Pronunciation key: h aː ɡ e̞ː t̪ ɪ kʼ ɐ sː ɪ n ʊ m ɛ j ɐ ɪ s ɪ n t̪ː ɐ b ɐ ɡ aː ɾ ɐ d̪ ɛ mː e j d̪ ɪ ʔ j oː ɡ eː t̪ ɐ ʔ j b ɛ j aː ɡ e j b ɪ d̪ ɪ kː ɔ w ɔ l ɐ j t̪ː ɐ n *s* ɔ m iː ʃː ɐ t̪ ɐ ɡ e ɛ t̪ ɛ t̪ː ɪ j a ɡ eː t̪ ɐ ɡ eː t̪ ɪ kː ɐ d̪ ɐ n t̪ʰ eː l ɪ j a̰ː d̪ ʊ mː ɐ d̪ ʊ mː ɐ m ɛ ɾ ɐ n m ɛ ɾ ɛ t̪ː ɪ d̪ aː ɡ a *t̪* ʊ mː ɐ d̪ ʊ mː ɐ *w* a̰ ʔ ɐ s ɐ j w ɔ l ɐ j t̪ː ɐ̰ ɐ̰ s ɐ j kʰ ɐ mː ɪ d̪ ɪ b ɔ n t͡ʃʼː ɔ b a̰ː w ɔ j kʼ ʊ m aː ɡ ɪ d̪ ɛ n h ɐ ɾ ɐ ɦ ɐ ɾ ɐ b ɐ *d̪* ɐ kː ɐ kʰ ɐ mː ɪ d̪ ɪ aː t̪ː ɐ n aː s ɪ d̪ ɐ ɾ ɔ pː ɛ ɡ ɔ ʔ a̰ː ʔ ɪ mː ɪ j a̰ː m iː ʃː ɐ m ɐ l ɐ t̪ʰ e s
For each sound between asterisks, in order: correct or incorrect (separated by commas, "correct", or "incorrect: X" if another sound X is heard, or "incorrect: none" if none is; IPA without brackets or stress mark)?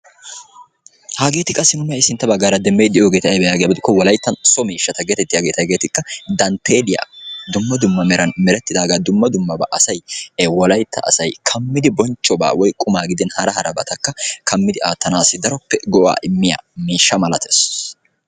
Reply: correct, incorrect: d̪, incorrect: b, incorrect: t̪